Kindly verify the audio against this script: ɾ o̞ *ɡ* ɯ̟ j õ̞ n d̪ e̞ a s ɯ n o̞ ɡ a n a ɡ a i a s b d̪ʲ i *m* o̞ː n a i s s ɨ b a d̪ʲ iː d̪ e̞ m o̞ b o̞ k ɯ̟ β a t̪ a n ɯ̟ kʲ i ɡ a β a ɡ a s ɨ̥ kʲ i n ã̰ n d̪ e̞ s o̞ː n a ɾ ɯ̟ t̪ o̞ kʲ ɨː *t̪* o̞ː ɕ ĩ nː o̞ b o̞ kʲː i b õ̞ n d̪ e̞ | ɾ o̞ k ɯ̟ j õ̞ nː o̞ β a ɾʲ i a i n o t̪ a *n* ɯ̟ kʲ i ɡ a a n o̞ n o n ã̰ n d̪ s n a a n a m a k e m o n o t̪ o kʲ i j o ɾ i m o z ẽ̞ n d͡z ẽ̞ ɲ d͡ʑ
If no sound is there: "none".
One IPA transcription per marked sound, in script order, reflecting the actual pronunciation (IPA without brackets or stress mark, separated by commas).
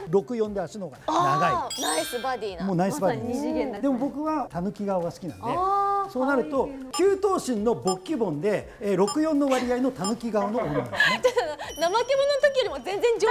k, m, t̪, n